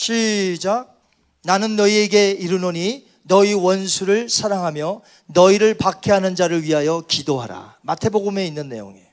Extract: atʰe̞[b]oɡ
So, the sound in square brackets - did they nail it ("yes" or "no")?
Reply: yes